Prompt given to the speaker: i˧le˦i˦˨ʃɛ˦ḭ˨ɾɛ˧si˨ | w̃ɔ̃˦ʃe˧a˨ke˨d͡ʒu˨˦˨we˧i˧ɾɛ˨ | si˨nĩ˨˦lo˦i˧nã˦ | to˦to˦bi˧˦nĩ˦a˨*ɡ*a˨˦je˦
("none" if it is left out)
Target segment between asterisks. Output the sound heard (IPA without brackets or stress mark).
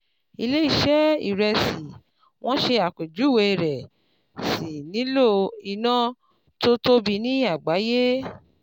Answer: ɡ͡b